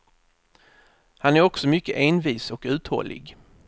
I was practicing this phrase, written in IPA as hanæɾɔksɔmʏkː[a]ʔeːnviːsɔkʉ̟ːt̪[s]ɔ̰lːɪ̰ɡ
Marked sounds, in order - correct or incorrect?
incorrect, incorrect

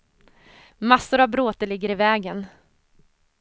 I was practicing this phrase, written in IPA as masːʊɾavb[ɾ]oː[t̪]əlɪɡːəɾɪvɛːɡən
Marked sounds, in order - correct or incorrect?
correct, correct

